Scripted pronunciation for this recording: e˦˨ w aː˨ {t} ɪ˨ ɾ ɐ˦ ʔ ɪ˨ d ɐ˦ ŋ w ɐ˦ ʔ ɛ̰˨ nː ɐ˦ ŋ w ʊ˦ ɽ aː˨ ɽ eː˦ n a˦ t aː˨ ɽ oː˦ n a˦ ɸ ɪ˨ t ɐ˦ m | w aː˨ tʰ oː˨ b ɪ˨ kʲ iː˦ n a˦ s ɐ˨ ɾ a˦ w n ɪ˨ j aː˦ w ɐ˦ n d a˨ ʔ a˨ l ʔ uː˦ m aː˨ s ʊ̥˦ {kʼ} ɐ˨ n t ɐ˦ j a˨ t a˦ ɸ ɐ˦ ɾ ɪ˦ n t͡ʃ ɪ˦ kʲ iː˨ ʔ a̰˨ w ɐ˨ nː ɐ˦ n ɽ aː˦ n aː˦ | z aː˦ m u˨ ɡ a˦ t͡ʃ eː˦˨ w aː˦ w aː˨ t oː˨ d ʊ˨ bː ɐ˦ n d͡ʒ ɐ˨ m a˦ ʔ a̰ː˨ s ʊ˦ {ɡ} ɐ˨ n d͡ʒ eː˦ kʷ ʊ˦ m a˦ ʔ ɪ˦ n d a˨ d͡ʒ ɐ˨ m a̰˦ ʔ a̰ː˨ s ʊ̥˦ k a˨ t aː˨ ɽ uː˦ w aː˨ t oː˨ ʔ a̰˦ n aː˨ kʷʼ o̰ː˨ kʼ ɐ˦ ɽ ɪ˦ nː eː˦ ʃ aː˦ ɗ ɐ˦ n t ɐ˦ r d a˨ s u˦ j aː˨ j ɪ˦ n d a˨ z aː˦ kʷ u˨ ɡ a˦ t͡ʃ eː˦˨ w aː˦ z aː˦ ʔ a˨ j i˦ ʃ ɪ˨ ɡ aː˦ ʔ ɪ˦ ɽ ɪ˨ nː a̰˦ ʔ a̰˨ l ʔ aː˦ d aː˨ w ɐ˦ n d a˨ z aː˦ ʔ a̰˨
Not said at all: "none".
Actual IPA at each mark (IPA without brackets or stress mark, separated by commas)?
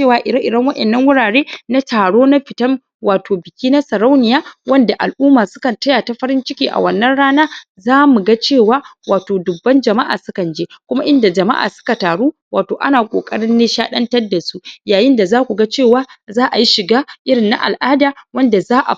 ʔ, k, k